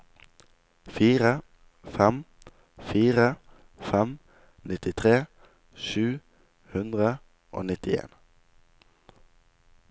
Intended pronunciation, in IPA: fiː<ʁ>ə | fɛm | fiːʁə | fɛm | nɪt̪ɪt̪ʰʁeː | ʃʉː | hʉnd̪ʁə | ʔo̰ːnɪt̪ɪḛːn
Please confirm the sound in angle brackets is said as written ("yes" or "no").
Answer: yes